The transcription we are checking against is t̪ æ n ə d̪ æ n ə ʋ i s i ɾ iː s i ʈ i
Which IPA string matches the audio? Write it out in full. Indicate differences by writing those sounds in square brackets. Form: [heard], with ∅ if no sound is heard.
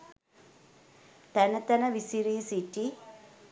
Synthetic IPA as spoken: t̪ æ n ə [t̪] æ n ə ʋ i s i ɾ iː s i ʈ i